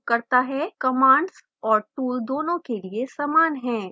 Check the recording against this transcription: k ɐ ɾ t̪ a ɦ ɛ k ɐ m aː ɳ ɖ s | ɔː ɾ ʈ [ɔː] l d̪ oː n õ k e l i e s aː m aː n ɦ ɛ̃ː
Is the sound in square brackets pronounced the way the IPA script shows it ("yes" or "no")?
no